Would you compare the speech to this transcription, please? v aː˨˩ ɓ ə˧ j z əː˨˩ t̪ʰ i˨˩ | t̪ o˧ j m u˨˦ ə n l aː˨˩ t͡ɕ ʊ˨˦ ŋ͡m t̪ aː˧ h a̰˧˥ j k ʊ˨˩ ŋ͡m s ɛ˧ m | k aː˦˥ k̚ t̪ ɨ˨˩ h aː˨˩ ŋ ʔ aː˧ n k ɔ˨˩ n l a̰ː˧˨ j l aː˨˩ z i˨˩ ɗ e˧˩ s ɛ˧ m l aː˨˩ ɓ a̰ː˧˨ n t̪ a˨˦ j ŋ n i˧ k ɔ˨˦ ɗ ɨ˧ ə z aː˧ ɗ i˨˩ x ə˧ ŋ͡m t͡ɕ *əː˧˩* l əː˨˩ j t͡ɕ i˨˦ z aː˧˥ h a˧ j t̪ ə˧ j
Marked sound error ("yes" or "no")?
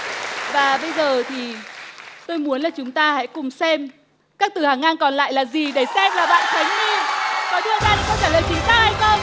yes